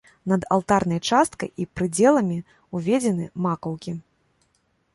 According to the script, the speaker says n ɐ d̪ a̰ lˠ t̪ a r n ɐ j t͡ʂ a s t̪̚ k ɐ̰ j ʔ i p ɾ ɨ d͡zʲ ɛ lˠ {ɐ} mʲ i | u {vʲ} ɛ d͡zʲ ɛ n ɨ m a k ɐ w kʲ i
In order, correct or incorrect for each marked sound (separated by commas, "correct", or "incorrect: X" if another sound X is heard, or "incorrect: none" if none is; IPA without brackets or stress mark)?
correct, correct